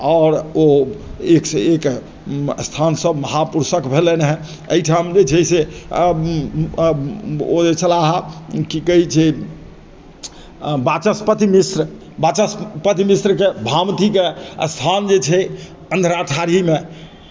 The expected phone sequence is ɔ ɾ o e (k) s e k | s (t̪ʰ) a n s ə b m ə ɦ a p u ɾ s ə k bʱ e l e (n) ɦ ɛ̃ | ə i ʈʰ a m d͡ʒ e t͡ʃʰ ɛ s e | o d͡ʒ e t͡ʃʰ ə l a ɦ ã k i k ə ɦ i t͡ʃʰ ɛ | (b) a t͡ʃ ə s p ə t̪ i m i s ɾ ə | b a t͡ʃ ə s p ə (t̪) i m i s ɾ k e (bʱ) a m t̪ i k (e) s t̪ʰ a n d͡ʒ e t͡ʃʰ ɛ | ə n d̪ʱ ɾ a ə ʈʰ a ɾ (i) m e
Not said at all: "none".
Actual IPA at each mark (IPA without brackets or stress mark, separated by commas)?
k, t̪ʰ, n, b, t̪, bʱ, e, i